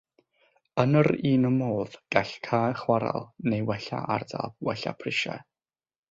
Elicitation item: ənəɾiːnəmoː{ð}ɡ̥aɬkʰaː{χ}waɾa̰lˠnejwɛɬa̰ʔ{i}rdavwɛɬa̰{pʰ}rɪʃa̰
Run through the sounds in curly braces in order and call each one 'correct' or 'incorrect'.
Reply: correct, correct, incorrect: a, correct

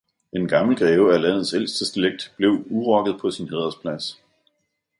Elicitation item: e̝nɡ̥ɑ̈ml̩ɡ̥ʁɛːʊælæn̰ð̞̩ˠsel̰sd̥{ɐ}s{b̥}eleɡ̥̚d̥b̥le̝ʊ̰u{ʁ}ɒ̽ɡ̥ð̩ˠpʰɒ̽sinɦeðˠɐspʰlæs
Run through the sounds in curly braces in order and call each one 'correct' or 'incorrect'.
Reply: incorrect: ə, incorrect: d̥, correct

